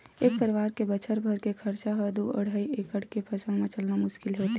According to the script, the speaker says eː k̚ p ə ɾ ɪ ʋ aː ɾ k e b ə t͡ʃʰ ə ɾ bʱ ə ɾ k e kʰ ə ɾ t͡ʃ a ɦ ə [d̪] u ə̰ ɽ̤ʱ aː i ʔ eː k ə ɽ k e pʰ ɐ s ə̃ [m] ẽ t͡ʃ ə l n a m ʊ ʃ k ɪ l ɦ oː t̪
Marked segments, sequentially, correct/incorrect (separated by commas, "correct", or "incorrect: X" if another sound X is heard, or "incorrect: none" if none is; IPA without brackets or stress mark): correct, correct